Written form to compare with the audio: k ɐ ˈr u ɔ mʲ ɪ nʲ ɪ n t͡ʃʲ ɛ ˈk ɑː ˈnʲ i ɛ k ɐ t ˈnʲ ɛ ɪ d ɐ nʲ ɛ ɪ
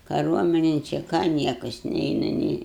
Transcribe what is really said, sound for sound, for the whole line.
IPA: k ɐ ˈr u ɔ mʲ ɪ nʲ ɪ n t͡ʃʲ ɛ ˈk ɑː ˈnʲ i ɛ k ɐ s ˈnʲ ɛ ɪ n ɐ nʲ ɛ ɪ